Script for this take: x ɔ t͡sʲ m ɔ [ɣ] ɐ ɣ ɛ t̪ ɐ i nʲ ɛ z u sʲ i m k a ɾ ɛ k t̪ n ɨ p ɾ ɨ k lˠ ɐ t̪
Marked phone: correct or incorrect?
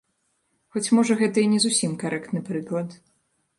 incorrect